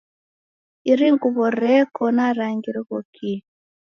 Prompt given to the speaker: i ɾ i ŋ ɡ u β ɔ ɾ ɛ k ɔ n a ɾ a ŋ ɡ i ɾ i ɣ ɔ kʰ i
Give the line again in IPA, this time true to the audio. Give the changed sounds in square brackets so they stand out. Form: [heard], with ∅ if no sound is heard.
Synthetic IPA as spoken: i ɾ i ŋ ɡ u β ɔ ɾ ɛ k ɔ n a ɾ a ŋ ɡ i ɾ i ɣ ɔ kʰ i